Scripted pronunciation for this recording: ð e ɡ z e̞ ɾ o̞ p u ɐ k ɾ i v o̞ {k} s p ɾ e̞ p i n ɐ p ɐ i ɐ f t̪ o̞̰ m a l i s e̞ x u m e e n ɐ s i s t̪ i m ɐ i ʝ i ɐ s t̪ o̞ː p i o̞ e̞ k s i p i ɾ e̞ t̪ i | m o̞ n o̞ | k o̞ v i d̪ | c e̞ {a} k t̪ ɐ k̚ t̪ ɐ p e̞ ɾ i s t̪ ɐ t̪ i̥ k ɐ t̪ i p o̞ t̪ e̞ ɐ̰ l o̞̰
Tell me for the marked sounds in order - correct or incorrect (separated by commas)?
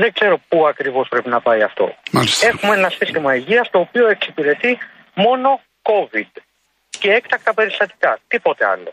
incorrect, incorrect